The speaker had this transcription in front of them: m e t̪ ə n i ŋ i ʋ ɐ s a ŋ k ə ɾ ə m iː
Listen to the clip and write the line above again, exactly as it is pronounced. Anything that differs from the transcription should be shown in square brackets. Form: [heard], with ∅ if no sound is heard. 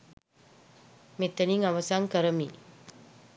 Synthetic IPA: m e t̪ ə n i ŋ [a] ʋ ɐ s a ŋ k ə ɾ ə m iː